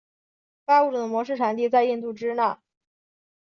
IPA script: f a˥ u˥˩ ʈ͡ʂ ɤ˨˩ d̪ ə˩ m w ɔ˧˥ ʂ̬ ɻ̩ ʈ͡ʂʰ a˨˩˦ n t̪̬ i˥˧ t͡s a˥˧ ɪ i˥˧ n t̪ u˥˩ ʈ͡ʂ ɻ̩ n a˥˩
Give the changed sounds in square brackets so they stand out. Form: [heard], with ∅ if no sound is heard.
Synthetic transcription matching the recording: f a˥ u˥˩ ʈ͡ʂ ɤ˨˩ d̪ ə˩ m w ɔ˧˥ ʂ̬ ɻ̩ ʈ͡ʂʰ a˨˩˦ n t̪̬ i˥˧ t͡s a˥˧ ɪ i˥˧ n t̪ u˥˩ ʈ͡ʂ ɻ̩ n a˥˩